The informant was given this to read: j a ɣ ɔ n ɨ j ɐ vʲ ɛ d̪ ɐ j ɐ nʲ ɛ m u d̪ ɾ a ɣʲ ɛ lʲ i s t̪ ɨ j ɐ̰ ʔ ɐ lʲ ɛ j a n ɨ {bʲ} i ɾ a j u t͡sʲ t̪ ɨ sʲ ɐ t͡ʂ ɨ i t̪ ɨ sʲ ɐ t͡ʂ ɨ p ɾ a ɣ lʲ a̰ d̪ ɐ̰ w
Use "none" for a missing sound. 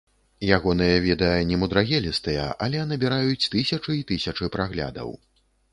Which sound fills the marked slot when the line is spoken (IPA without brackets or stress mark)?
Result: bʲ